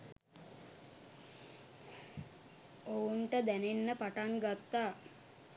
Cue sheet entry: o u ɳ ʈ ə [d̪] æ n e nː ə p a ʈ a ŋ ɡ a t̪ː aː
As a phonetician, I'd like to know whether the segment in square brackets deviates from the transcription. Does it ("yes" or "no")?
no